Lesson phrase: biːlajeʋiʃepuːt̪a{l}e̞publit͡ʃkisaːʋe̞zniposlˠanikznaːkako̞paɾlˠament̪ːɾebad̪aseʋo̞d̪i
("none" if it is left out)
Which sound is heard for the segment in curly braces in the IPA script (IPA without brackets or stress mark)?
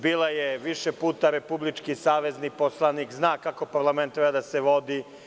ɾ